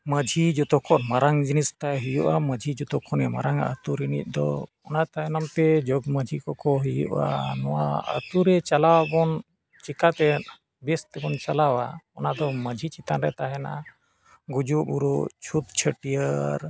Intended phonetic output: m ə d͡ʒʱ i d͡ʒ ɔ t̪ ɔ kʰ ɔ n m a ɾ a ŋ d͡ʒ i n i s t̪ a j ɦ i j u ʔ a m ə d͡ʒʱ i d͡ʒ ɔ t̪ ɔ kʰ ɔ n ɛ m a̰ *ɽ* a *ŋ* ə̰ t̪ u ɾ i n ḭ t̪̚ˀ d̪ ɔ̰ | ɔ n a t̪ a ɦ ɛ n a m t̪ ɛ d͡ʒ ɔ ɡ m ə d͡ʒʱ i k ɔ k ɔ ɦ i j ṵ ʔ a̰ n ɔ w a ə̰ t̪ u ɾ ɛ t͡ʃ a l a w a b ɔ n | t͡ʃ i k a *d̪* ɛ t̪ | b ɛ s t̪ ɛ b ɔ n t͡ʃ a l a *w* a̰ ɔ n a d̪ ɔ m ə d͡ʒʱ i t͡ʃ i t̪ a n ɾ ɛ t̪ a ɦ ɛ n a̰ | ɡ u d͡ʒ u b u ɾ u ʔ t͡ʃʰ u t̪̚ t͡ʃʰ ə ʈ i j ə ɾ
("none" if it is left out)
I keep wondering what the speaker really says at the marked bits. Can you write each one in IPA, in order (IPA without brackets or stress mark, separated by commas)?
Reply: ɾ, ŋ, t̪, w